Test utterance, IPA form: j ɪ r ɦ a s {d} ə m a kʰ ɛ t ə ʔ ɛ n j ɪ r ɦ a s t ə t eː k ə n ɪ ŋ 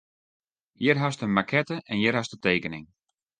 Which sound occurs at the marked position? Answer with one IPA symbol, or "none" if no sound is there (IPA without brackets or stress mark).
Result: t